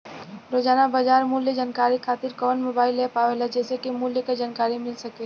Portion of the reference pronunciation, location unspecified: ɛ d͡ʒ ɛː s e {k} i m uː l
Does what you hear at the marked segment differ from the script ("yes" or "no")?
no